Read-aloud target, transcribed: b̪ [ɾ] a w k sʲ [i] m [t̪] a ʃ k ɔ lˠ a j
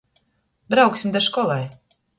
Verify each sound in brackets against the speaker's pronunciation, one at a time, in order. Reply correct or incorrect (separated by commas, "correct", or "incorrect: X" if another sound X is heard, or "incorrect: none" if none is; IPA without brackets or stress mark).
correct, correct, incorrect: d̪